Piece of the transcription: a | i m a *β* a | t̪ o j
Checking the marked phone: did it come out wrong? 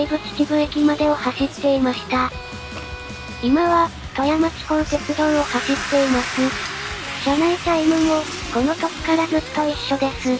no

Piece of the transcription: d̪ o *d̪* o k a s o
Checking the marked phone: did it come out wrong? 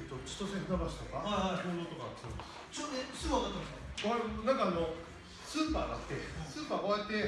yes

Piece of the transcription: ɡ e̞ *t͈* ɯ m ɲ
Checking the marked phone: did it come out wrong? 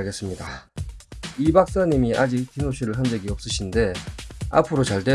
yes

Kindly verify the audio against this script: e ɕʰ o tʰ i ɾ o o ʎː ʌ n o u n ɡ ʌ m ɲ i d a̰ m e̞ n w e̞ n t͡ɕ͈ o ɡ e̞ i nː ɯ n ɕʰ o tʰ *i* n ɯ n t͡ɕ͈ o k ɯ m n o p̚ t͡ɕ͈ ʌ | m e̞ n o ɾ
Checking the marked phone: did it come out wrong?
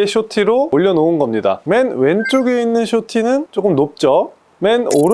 no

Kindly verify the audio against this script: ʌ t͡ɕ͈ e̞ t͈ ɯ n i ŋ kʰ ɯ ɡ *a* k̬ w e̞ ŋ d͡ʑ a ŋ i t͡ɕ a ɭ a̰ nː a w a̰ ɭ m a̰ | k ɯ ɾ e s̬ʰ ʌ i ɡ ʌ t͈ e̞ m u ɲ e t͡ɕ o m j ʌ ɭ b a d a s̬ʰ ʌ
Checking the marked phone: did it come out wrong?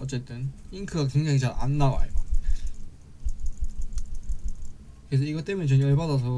no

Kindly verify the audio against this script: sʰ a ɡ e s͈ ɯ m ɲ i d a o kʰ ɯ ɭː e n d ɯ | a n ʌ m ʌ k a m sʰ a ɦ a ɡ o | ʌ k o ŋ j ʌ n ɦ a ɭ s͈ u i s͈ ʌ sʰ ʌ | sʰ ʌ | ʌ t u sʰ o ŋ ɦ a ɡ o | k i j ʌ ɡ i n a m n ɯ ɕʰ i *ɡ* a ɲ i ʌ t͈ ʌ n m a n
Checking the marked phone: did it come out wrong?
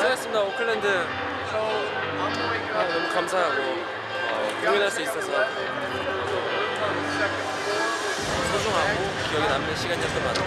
no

